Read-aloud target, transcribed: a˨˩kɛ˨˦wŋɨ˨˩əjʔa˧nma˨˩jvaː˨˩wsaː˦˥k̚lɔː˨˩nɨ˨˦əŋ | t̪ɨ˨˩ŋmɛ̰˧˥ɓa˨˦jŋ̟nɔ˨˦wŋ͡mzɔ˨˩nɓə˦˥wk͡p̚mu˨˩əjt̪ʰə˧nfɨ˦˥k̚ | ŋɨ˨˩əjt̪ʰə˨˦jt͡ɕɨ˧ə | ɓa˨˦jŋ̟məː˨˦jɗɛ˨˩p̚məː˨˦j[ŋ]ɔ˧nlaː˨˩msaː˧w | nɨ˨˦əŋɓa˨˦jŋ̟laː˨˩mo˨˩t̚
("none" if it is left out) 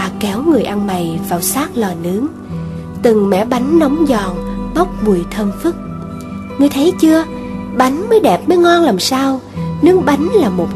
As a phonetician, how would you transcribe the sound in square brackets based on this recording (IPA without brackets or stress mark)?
ŋ